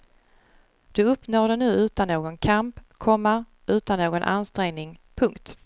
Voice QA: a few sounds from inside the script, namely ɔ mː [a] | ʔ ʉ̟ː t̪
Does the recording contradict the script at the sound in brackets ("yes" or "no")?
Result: no